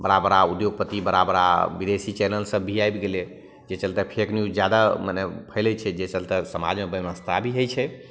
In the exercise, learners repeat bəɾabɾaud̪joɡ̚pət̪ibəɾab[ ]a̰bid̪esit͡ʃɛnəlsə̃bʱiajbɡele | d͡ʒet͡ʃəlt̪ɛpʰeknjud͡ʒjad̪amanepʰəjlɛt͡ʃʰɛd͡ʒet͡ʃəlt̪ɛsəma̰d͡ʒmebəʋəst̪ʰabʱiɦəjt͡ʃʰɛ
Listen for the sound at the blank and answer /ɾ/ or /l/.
ɾ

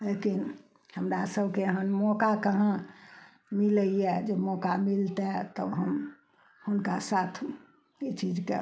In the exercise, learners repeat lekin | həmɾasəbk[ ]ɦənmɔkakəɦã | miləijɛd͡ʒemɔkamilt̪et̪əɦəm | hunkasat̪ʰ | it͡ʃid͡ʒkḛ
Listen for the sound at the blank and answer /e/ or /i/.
e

